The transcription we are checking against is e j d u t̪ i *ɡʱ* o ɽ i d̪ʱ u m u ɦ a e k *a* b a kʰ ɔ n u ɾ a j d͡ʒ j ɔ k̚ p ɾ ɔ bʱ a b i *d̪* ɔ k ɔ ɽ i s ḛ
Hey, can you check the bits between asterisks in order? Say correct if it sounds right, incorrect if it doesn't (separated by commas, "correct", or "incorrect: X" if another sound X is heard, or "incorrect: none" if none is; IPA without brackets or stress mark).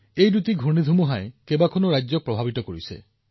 correct, incorrect: e, incorrect: t̪